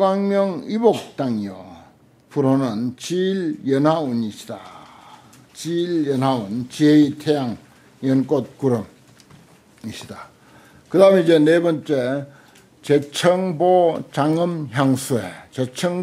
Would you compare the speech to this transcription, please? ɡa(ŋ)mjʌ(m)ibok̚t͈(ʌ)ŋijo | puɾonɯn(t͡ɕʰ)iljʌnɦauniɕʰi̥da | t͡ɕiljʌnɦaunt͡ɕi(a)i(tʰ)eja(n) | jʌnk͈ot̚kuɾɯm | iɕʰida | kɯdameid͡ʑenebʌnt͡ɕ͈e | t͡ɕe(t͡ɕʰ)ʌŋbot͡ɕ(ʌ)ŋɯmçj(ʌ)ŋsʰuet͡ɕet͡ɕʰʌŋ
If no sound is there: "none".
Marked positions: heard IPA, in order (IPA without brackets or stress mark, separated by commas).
ŋ, ŋ, a, t͡ɕ, e, tʰ, ŋ, t͡ɕʰ, a, a